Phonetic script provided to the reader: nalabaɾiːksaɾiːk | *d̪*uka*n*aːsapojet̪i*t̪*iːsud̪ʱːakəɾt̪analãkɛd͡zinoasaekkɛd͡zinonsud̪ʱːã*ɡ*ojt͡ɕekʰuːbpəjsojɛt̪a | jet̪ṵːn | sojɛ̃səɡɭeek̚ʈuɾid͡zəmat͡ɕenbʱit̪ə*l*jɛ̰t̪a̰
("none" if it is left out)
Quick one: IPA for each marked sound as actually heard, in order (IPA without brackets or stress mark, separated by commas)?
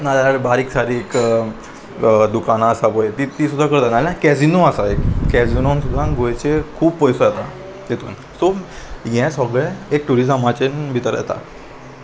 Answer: d̪, n, t̪, ɡ, ɾ